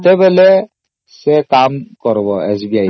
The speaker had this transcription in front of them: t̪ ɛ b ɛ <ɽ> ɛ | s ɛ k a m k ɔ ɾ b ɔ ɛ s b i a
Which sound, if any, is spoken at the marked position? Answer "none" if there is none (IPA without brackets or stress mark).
l